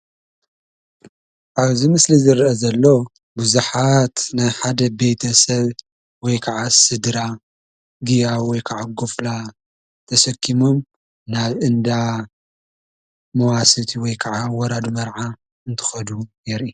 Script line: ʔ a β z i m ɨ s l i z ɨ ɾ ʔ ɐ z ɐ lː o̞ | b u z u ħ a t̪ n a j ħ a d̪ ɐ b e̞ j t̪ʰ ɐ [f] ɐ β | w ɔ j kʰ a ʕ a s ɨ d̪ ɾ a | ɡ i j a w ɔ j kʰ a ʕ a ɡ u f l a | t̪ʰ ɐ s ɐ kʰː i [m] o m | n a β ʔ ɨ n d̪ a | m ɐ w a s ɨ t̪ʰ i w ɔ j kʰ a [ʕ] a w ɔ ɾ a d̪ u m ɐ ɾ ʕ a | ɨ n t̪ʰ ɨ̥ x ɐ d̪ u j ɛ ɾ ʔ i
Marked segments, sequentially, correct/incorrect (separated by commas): incorrect, correct, correct